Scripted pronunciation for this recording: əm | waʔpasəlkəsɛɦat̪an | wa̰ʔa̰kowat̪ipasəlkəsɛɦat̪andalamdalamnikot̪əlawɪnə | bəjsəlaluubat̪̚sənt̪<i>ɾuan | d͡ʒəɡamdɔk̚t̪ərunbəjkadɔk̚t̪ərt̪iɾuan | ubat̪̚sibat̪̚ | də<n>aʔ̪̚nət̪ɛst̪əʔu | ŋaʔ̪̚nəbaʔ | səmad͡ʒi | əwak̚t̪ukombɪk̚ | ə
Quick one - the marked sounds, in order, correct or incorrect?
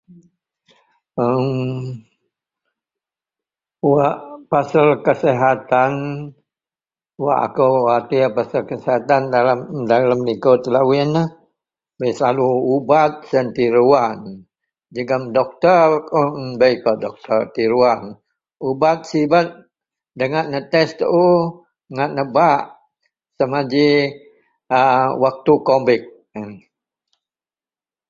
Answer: correct, incorrect: ŋ

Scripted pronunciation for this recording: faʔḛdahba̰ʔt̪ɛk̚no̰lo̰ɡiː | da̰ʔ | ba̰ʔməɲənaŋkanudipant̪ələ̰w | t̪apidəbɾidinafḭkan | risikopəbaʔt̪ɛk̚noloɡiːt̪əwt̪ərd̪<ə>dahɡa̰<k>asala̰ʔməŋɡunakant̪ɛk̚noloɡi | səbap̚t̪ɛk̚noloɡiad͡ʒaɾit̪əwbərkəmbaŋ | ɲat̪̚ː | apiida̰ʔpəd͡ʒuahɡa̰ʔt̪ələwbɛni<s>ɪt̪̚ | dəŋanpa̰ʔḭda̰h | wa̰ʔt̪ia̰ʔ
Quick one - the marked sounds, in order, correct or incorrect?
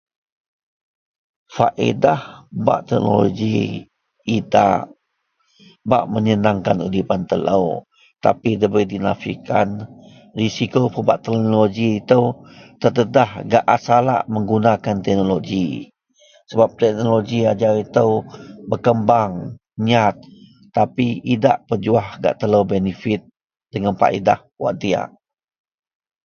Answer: correct, incorrect: ʔ, incorrect: f

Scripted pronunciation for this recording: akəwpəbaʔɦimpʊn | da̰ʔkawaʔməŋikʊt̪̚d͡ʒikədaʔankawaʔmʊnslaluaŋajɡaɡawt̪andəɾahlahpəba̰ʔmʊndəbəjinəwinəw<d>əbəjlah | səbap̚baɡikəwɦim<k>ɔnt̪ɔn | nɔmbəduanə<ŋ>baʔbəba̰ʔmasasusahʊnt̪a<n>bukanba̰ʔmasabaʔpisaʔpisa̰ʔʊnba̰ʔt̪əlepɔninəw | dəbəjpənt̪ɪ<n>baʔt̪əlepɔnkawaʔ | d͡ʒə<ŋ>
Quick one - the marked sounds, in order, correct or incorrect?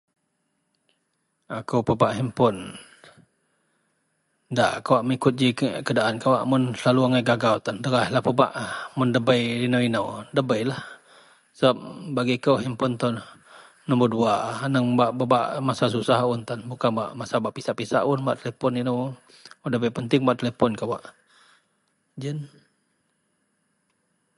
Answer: correct, incorrect: p, correct, correct, incorrect: ŋ, incorrect: n

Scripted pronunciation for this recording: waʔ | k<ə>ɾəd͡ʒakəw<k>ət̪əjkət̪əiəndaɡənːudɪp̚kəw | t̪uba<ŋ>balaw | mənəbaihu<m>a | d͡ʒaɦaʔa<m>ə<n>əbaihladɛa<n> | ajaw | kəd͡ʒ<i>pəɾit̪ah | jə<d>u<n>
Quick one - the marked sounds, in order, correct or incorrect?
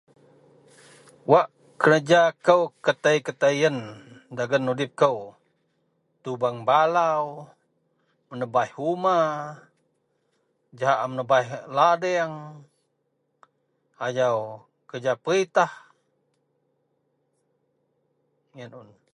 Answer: correct, correct, correct, correct, correct, correct, incorrect: ŋ, incorrect: a, incorrect: n, correct

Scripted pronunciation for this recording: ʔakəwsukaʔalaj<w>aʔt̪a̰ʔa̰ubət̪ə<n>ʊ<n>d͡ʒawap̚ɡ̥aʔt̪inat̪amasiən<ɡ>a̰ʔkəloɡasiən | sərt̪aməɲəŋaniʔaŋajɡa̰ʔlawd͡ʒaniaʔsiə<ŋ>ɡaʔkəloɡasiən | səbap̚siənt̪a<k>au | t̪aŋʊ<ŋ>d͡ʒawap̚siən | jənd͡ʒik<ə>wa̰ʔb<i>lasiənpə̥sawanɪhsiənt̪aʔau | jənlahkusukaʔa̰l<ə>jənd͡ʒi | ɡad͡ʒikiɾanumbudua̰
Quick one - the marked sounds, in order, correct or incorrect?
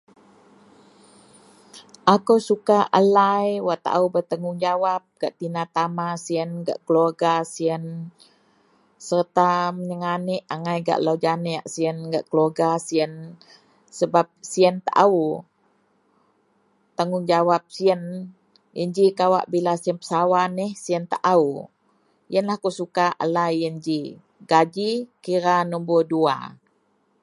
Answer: correct, incorrect: ŋ, incorrect: ŋ, correct, incorrect: n, incorrect: ʔ, correct, incorrect: a, correct, incorrect: a

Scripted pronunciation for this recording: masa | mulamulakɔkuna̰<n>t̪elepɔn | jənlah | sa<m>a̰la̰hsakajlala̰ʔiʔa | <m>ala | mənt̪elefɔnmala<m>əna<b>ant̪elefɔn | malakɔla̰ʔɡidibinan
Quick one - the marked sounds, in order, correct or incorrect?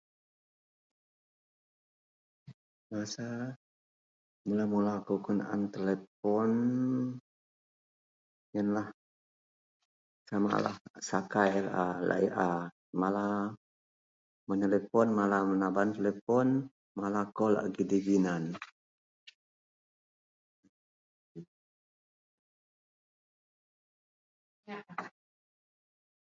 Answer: correct, correct, correct, correct, correct

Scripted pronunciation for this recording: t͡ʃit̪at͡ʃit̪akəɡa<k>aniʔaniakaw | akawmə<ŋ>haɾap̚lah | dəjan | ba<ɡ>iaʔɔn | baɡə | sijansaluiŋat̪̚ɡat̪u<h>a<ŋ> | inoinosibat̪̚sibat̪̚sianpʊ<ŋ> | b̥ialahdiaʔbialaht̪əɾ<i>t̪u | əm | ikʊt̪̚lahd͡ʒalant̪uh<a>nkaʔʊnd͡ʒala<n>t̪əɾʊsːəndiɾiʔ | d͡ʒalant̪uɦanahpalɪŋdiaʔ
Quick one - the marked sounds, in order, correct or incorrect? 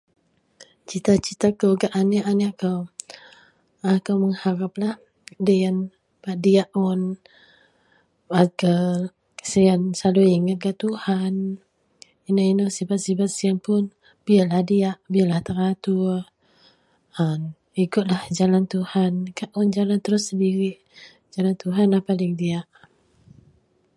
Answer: incorrect: ʔ, correct, incorrect: d, correct, incorrect: n, incorrect: n, incorrect: a, correct, correct

